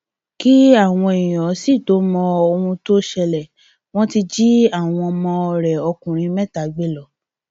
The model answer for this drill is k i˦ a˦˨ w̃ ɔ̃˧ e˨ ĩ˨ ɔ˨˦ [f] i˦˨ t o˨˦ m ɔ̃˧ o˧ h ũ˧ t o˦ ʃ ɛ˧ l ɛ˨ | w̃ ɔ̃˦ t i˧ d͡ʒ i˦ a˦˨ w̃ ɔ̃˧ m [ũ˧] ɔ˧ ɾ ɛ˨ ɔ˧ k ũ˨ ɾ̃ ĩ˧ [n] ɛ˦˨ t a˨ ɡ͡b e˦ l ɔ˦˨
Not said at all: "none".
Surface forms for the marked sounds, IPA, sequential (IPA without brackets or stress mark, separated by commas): s, ɔ̃˧, m